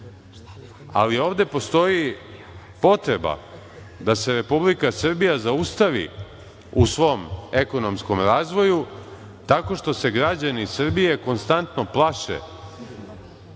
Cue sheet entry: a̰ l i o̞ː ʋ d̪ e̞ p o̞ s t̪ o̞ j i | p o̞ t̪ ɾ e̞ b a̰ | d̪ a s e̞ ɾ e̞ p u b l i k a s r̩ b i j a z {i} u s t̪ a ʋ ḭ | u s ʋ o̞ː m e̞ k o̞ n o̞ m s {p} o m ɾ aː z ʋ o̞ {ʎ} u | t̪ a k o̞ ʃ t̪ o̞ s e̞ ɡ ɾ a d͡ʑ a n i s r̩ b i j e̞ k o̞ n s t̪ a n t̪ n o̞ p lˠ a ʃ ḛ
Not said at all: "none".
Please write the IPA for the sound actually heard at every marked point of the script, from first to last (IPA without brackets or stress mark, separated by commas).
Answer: a, k, j